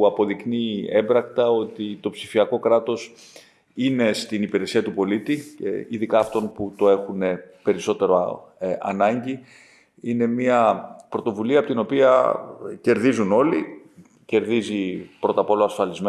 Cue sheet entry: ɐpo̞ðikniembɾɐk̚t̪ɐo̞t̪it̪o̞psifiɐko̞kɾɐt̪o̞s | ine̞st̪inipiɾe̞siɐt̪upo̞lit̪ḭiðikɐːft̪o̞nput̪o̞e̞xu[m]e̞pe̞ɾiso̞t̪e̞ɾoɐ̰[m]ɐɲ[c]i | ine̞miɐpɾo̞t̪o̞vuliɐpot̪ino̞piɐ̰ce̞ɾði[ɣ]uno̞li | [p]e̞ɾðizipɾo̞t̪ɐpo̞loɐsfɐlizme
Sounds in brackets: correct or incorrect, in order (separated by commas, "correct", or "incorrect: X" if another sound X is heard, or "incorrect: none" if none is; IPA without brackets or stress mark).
incorrect: n, incorrect: n, incorrect: ɟ, incorrect: z, incorrect: c